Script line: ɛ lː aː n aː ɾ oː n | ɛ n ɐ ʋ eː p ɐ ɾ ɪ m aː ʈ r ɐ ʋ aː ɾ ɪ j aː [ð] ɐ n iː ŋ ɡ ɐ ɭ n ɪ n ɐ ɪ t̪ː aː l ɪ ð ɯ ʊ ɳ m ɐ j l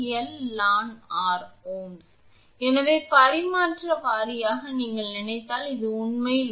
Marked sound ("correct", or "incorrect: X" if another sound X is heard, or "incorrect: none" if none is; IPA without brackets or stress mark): incorrect: ɣ